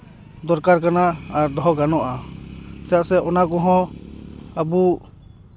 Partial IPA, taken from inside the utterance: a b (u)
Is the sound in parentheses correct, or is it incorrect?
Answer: correct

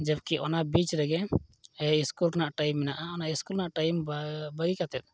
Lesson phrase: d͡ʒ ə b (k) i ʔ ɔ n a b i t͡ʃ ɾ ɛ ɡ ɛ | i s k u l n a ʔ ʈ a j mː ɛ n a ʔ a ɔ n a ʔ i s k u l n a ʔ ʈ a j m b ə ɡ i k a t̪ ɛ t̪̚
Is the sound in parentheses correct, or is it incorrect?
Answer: correct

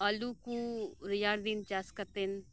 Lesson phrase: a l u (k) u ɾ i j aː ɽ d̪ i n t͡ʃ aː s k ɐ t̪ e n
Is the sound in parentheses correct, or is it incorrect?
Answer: correct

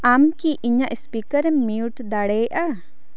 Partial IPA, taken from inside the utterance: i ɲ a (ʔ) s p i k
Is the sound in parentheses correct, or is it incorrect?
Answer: correct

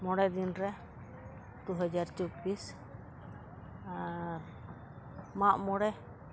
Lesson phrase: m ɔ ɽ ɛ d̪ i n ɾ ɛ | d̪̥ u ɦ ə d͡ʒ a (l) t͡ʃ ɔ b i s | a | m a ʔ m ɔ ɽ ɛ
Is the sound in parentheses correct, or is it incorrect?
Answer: incorrect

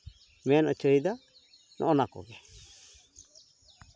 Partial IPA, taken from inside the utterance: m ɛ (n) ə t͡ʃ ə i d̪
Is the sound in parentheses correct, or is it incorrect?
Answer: correct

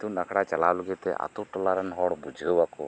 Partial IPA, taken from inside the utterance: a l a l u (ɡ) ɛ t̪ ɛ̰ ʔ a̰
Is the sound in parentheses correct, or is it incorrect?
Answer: correct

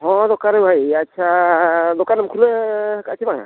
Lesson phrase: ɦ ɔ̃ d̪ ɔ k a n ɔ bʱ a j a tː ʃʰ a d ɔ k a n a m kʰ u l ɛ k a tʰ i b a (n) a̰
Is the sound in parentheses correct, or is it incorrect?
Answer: incorrect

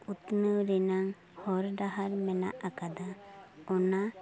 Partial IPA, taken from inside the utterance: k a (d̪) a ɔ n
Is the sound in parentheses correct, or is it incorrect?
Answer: correct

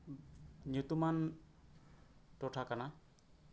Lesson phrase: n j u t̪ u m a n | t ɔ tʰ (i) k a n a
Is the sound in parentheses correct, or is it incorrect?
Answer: incorrect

